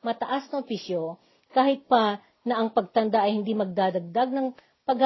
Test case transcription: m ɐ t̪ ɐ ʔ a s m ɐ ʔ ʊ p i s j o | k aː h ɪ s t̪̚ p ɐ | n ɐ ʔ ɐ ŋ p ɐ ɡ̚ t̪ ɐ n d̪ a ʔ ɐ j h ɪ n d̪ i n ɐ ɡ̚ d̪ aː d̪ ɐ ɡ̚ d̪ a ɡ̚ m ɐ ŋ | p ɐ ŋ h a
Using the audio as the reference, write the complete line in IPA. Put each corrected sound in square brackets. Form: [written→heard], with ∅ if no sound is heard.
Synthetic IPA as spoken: m ɐ t̪ ɐ ʔ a s [m→n] ɐ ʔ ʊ p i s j o | k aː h ɪ [s→∅] t̪̚ p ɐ | n ɐ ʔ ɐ ŋ p ɐ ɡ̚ t̪ ɐ n d̪ a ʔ ɐ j h ɪ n d̪ i [n→m] ɐ ɡ̚ d̪ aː d̪ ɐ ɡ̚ d̪ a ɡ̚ [m→n] ɐ ŋ | p ɐ [ŋ→ɡ] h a